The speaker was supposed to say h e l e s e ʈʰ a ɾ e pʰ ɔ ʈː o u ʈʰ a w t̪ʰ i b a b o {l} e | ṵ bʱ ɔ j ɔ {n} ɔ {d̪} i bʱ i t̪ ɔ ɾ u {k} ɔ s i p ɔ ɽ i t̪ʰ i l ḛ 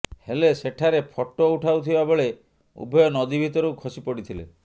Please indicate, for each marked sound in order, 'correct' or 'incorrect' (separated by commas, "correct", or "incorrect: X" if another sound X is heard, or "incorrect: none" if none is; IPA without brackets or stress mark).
incorrect: ɭ, correct, correct, incorrect: kʰ